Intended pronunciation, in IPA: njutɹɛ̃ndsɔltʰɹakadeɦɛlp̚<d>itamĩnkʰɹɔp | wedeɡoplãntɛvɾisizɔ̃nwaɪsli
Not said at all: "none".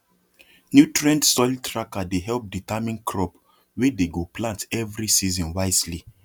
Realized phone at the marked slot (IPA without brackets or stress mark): d